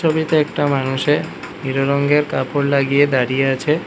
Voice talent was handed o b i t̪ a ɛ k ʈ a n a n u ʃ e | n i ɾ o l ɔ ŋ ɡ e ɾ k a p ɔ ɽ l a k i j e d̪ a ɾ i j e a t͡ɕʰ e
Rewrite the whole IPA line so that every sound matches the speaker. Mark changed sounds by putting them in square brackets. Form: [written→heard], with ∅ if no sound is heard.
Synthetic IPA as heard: o b i t̪ [a→e] ɛ k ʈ a [n→m] a n u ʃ e | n i ɾ o [l→ɾ] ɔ ŋ ɡ e ɾ k a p [ɔ→o] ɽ l a [k→ɡ] i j e d̪ a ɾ i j e a t͡ɕʰ e